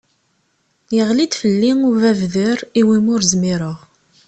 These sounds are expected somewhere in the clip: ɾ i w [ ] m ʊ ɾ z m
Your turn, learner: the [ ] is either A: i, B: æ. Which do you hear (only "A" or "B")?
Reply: A